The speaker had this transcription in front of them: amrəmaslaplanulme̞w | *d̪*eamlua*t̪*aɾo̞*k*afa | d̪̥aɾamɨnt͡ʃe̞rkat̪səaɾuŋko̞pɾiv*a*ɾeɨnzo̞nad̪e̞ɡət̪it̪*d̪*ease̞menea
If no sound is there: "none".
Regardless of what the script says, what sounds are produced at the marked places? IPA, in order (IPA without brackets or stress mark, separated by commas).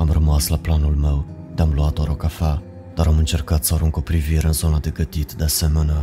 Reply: d̪, t̪, k, i, d̪